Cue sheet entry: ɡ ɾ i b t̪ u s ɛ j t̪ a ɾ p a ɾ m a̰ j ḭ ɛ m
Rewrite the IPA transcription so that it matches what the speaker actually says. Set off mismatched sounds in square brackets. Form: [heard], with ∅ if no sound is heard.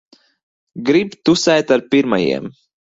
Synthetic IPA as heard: ɡ ɾ i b t̪ u s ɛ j t̪ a ɾ p [i] ɾ m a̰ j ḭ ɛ m